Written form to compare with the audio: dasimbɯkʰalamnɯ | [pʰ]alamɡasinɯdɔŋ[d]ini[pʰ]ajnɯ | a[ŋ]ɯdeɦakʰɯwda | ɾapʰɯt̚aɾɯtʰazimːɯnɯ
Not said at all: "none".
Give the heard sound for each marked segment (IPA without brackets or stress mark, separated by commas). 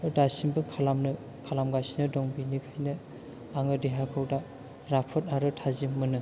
kʰ, b, kʰ, ŋ